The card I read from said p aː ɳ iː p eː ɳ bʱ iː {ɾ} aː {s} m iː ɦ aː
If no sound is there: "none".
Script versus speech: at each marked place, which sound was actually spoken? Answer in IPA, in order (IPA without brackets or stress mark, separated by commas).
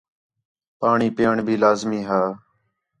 l, z